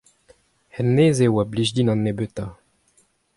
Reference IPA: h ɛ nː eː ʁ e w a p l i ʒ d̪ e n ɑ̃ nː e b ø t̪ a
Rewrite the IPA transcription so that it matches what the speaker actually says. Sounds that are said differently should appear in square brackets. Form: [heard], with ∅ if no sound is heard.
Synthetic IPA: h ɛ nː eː [z] e w a [b] l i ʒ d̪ [i] n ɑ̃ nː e b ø t̪ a